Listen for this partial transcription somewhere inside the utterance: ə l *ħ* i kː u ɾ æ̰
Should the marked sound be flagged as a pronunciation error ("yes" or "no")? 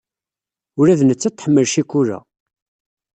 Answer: yes